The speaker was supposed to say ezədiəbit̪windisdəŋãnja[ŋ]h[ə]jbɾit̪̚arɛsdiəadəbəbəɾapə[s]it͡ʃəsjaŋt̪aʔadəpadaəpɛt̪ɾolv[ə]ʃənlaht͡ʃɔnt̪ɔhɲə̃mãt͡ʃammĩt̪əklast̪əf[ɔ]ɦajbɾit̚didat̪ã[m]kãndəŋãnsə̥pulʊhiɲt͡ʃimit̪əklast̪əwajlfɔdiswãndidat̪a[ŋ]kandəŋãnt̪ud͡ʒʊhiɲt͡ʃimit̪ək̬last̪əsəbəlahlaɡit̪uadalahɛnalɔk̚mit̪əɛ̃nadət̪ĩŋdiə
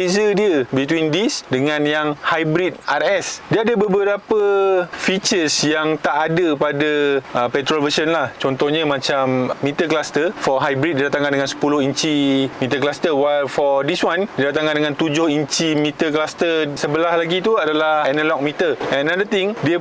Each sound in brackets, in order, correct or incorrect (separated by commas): correct, incorrect, incorrect, correct, correct, incorrect, correct